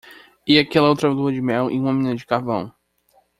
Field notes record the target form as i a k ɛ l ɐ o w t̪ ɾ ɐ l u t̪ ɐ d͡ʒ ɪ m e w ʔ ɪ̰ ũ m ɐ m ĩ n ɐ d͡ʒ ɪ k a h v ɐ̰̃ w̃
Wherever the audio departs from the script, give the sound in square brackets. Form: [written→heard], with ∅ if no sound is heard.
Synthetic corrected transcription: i a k ɛ l ɐ o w t̪ ɾ ɐ l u [t̪→∅] ɐ d͡ʒ ɪ m [e→ɛ] w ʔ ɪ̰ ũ m ɐ m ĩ n ɐ d͡ʒ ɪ k a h v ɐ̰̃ w̃